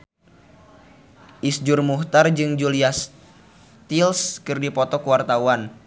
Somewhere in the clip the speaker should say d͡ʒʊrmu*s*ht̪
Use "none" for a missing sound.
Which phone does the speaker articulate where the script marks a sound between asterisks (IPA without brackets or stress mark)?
none